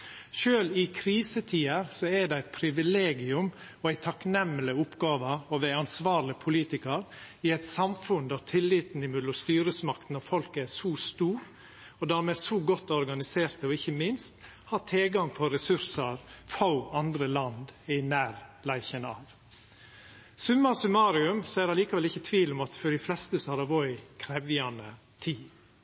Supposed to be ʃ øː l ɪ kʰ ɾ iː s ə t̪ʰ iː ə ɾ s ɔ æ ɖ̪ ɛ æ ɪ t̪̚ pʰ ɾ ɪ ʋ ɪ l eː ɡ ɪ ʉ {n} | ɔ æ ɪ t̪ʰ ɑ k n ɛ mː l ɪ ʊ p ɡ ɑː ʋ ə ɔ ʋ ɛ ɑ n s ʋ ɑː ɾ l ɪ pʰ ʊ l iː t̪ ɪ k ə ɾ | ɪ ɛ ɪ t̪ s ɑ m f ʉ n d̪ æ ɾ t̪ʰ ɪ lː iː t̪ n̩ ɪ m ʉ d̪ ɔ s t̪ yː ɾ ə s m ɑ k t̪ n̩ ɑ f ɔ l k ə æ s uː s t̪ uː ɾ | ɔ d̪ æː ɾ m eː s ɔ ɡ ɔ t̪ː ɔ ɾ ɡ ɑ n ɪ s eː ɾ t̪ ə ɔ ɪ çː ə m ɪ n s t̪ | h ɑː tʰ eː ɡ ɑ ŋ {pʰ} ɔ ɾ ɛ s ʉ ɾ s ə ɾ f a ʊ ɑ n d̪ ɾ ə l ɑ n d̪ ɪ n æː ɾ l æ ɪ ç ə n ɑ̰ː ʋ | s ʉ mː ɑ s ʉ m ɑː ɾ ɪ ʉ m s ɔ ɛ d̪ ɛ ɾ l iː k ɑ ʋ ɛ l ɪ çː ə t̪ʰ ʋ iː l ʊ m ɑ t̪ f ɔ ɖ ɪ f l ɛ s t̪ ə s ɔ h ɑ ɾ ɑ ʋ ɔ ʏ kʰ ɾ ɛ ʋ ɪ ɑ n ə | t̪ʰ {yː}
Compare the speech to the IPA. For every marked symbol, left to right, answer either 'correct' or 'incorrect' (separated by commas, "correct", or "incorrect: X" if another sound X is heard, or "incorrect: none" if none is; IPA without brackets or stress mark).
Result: incorrect: m, correct, incorrect: iː